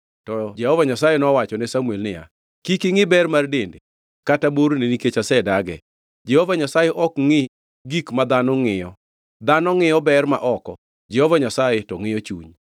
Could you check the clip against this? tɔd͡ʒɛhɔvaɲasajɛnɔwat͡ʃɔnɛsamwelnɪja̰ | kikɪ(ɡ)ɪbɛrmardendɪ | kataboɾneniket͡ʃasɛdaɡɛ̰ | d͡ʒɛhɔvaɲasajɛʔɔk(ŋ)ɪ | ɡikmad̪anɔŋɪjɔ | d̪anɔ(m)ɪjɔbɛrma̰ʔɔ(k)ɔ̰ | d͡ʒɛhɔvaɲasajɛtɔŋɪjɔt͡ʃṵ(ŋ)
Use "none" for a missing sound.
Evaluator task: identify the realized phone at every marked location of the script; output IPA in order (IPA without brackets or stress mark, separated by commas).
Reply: ŋ, ŋ, ŋ, k, ɲ